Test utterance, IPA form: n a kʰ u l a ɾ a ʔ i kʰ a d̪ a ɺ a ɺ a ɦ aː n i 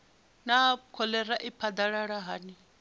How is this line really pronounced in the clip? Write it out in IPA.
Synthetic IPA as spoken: n a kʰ ɔ l ɛ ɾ a ʔ i pʰ a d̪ a ɺ a ɺ a ɦ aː n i